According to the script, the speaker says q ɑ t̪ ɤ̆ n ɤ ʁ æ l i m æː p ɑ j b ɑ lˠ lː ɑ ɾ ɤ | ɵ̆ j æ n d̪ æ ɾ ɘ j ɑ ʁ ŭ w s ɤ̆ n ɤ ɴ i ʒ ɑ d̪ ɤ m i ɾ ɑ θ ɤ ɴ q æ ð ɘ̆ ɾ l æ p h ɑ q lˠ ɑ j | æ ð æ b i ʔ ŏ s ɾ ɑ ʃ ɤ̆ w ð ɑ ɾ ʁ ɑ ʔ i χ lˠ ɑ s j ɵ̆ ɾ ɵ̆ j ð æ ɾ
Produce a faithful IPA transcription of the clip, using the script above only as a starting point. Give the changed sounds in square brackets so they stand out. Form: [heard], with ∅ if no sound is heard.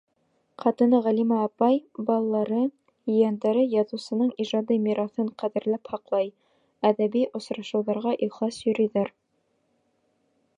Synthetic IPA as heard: q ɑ t̪ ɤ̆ n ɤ ʁ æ l i m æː p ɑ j b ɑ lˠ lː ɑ ɾ ɤ | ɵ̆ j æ n d̪ æ ɾ ɘ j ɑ [ð] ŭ w s ɤ̆ n ɤ ɴ i ʒ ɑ d̪ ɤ m i ɾ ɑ θ ɤ ɴ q æ ð ɘ̆ ɾ l æ p h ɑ q lˠ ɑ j | æ ð æ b i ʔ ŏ s ɾ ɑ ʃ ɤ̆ w ð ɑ ɾ ʁ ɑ ʔ i χ lˠ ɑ s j ɵ̆ ɾ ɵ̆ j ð æ ɾ